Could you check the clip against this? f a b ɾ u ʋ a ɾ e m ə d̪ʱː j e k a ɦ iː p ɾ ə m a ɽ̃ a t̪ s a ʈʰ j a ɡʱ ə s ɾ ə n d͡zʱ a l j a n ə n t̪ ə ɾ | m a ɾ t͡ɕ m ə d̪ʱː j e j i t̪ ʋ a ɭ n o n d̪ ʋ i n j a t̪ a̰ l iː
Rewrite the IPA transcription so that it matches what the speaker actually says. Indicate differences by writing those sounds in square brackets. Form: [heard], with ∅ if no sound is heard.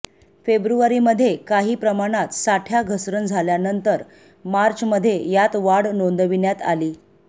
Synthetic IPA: f [e] b ɾ u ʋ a ɾ [i] m ə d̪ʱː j e k a ɦ iː p ɾ ə m a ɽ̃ a t̪ s a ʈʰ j a ɡʱ ə s ɾ ə n d͡zʱ a l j a n ə n t̪ ə ɾ | m a ɾ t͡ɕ m ə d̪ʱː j e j [a] t̪ ʋ a [ɽ] n o n d̪ ʋ i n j a t̪ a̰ l iː